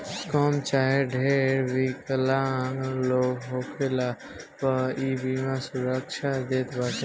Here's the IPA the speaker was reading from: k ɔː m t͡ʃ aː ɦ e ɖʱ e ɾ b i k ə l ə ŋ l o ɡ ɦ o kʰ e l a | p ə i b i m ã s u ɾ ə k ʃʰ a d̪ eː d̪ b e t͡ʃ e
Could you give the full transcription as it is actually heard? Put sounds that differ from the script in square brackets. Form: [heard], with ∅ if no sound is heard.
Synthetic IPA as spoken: k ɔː m t͡ʃ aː ɦ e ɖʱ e ɾ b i k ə l [a] ŋ l o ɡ ɦ o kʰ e l a | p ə i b i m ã s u ɾ ə k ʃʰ a d̪ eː [t̪] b [a] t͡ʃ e